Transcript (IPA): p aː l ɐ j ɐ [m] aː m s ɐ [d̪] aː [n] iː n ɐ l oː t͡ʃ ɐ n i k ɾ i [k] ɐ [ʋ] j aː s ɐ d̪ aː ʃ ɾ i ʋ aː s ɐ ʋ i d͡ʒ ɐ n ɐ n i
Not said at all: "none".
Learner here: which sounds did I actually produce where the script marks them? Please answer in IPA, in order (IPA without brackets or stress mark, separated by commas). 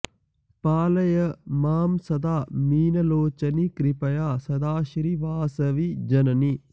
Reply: m, d̪, m, p, none